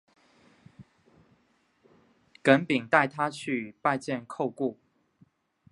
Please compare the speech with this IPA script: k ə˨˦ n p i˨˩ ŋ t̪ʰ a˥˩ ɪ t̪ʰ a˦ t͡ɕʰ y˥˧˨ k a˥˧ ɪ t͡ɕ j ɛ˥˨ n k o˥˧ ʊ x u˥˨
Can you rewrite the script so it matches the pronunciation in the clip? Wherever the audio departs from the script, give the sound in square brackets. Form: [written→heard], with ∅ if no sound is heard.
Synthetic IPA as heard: k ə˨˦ n p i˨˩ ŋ [t̪ʰ→t̪] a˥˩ ɪ t̪ʰ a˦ t͡ɕʰ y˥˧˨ [k→p] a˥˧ ɪ t͡ɕ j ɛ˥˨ n [k→kʰ] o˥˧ ʊ [x→k] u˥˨